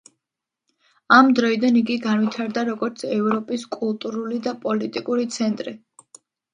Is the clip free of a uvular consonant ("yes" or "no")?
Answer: yes